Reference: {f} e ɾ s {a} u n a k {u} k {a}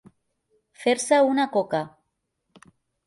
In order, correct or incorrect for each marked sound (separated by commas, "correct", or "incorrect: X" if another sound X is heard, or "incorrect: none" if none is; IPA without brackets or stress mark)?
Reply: correct, correct, incorrect: o, correct